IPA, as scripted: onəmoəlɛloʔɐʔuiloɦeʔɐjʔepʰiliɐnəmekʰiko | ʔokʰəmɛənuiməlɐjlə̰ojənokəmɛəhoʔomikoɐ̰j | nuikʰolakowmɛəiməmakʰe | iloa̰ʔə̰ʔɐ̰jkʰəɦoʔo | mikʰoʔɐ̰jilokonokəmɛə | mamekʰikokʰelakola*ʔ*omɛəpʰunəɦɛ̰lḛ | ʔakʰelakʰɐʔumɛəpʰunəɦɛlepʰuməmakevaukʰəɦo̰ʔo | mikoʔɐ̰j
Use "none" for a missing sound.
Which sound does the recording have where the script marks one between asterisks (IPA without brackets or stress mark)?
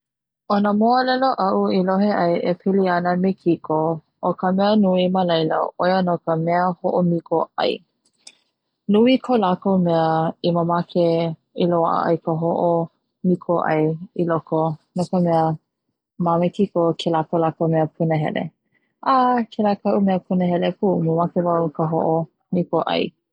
k